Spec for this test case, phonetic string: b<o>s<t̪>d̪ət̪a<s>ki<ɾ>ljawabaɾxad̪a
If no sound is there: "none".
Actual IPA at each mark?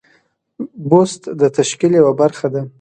o, t̪, ʃ, none

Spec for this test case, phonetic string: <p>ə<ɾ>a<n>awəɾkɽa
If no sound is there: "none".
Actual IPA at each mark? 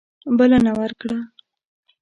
b, l, n

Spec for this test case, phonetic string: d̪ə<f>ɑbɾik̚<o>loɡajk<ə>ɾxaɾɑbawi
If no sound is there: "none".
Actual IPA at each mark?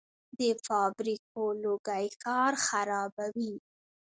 f, o, ɑ

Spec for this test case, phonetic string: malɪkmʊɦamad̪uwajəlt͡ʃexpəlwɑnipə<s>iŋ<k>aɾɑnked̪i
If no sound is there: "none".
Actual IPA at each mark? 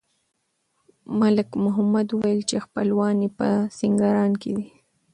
s, ɡ

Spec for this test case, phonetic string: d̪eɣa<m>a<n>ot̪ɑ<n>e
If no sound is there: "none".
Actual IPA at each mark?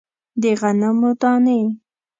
n, m, n

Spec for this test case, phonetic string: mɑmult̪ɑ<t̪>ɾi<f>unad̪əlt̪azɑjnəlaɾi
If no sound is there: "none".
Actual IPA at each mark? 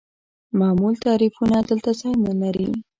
none, f

